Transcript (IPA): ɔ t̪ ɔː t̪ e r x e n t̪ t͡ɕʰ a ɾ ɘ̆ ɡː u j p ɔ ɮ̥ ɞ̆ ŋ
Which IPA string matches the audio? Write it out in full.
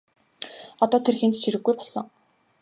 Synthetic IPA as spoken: ɔ t̪ ɔː t̪ʰ e r x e n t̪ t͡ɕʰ i ɾ ɘ̆ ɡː u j p ɔ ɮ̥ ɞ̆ ŋ